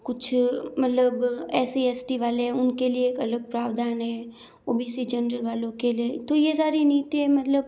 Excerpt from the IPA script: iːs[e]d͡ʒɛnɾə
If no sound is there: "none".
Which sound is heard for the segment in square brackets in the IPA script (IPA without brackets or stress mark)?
i